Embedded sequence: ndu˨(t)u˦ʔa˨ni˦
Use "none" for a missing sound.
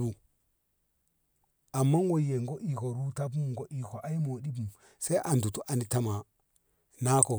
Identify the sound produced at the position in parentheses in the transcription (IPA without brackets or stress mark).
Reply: t